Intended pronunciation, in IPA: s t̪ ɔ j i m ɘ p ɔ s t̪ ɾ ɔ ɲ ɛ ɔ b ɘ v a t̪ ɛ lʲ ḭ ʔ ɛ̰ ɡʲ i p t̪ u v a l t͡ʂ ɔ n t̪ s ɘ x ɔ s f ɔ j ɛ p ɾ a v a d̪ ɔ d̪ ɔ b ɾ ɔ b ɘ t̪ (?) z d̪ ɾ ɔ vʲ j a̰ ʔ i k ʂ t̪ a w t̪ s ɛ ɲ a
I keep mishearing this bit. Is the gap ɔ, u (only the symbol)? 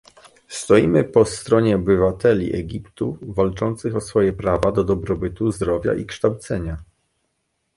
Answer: u